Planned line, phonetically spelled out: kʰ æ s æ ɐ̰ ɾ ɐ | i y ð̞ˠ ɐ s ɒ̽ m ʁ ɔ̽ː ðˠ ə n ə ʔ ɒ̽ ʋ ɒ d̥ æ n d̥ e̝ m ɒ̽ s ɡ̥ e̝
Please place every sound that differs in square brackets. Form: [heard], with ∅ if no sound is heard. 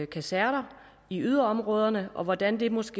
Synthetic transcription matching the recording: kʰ æ s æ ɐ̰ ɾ ɐ | i y ð̞ˠ ɐ [∅] ɒ̽ m ʁ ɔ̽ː ðˠ [ɐ] n ə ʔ ɒ̽ ʋ ɒ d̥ æ n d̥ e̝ m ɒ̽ s ɡ̥ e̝

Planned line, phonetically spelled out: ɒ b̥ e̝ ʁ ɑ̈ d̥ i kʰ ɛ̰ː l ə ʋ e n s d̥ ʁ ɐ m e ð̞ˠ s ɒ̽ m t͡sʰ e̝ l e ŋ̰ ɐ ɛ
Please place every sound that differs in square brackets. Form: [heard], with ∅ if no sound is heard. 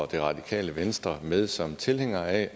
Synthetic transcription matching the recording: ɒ [d̥] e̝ ʁ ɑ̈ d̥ i kʰ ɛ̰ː l ə ʋ e n s d̥ ʁ ɐ m e ð̞ˠ s ɒ̽ m t͡sʰ e̝ l e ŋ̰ ɐ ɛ

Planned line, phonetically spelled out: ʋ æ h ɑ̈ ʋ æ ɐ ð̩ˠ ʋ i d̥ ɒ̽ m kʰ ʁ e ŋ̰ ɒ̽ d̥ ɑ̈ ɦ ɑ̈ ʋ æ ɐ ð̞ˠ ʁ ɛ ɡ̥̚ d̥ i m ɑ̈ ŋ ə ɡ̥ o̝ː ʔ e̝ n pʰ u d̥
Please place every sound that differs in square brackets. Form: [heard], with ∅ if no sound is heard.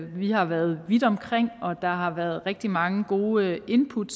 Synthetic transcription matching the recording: ʋ [i] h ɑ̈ ʋ æ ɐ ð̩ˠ ʋ i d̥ ɒ̽ m kʰ ʁ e ŋ̰ ɒ̽ d̥ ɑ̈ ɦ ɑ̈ ʋ æ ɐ ð̞ˠ ʁ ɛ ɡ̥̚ d̥ i m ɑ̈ ŋ ə ɡ̥ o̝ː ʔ e̝ n pʰ u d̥

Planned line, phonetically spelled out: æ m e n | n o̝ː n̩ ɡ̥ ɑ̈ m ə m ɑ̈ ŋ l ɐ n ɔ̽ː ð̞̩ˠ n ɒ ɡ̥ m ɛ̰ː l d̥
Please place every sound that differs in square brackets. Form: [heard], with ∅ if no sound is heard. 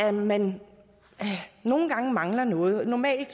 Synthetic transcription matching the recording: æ m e n | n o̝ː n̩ ɡ̥ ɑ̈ [ŋ] ə m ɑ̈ ŋ l ɐ n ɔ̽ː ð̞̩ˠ n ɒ [∅] m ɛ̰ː l d̥

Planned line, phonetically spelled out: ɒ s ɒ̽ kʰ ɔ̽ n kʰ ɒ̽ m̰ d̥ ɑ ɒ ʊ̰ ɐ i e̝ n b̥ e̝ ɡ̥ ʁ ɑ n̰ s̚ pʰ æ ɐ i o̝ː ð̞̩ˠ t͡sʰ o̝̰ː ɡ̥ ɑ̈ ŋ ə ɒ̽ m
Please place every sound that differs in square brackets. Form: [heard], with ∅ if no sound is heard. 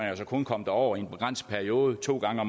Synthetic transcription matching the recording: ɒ s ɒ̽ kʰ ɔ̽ n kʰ ɒ̽ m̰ d̥ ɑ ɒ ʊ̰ ɐ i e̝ n b̥ e̝ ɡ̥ ʁ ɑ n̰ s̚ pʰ æ ɐ i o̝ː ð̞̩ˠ t͡sʰ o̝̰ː ɡ̥ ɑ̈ ŋ ə ɒ̽ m

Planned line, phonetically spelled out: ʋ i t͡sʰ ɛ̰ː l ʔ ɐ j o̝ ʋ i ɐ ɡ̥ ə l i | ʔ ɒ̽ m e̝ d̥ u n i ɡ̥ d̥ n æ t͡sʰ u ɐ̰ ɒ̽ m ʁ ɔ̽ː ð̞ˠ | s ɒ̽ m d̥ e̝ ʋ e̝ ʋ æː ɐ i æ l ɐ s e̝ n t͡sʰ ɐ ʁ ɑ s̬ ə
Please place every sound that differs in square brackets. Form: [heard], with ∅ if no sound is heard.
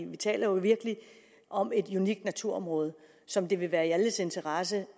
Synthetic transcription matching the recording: ʋ i t͡sʰ ɛ̰ː l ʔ ɐ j o̝ ʋ i ɐ ɡ̥ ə l i | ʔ ɒ̽ m e̝ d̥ u n i ɡ̥ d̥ n æ t͡sʰ u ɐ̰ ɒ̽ m ʁ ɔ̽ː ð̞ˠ | s ɒ̽ m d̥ e̝ ʋ e̝ ʋ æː ɐ i æ l [ə] s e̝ n t͡sʰ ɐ ʁ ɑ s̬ ə

